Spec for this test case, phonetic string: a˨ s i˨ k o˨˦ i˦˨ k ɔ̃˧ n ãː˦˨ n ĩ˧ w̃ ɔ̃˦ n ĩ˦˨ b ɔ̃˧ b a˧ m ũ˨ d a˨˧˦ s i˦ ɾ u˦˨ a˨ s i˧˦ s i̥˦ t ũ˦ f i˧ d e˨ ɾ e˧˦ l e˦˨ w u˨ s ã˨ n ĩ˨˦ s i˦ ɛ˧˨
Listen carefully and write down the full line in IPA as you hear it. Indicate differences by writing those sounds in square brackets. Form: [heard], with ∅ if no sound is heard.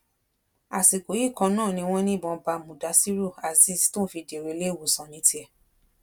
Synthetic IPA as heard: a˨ s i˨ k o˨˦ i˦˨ k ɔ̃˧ n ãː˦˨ n ĩ˧ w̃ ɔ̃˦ n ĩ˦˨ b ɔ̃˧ b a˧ m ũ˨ d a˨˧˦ s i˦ ɾ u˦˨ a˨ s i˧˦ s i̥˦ t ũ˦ f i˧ d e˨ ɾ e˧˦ l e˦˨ w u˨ s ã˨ n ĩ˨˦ [t] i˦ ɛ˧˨